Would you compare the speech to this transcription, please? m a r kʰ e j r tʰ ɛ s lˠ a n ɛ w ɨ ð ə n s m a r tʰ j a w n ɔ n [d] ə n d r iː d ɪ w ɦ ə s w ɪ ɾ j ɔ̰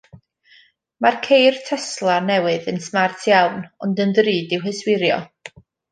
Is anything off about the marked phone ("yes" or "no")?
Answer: no